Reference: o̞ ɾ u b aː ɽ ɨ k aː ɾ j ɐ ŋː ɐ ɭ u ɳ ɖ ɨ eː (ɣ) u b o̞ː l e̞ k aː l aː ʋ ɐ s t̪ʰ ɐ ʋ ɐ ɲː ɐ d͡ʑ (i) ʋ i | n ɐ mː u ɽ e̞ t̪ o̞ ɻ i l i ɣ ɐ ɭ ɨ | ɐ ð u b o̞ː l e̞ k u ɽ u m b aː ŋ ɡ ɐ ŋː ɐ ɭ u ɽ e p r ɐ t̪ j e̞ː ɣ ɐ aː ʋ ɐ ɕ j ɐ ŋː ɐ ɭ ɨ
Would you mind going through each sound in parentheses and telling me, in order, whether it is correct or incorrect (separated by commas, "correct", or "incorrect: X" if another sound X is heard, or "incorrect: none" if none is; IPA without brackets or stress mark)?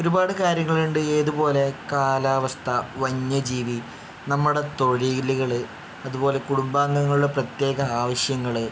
incorrect: ð, incorrect: iː